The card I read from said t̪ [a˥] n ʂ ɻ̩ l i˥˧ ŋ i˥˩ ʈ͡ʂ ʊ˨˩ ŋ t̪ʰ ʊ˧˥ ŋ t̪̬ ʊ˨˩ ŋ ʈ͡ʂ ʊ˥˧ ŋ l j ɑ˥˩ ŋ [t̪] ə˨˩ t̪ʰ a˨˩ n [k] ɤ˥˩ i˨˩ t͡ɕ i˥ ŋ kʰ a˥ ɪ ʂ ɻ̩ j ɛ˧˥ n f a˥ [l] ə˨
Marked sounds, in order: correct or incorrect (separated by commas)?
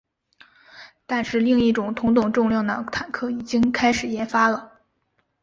incorrect, incorrect, incorrect, correct